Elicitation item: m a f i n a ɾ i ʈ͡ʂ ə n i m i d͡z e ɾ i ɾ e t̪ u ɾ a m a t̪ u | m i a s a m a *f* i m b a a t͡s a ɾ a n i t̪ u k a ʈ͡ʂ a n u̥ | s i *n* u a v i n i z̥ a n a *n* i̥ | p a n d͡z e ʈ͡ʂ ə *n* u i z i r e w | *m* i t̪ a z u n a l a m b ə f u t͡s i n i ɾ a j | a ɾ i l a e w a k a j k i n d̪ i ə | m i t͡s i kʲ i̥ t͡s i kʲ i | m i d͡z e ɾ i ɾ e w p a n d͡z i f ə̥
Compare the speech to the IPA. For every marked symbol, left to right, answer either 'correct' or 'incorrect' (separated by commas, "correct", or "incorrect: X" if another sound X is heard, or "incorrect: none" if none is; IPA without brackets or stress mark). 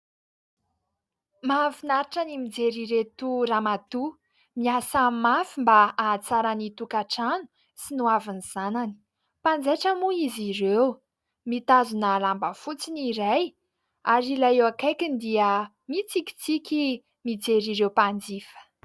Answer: correct, correct, correct, incorrect: m, correct